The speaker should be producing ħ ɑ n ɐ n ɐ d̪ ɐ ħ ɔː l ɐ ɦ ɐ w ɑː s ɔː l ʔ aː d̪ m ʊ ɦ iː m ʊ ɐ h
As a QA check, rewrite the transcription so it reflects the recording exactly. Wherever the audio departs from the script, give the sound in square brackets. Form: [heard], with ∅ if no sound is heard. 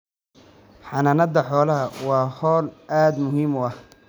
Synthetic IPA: ħ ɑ n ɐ n ɐ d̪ ɐ ħ ɔː l ɐ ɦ ɐ w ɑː [h] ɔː l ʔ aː d̪ m ʊ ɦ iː m ʊ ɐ h